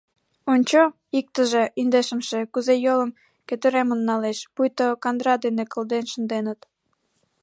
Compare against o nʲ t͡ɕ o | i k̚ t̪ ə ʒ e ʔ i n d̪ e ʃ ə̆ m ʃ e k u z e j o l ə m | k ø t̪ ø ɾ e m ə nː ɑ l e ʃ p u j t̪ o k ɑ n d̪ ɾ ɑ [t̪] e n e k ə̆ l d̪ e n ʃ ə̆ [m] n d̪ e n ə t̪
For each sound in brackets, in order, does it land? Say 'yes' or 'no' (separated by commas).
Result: no, no